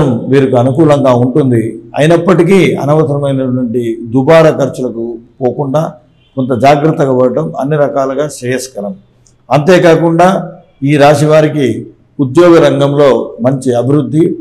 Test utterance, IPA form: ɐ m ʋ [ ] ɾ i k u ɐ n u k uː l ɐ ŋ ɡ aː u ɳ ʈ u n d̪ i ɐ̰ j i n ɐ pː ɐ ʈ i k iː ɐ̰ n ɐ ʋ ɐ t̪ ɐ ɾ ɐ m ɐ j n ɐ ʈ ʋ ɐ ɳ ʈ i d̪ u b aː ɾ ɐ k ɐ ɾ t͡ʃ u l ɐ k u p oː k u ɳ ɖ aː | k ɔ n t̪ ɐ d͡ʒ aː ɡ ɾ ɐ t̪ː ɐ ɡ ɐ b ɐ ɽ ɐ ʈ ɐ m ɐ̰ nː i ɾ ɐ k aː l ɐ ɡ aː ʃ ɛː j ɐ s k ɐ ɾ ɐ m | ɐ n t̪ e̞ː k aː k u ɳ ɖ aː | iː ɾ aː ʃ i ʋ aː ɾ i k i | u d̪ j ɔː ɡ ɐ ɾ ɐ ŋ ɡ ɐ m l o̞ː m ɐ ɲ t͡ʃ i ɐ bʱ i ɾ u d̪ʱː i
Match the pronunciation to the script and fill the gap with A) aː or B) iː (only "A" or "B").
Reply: B